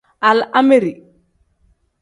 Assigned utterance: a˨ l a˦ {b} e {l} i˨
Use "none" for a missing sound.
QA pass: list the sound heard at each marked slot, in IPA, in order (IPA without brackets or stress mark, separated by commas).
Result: m, ɾ